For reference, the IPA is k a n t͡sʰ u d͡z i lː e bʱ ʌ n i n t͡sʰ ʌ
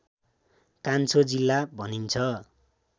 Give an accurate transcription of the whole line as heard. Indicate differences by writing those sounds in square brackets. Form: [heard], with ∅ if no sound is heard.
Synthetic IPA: k a n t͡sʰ [o] d͡z i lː [a] bʱ ʌ n i n t͡sʰ ʌ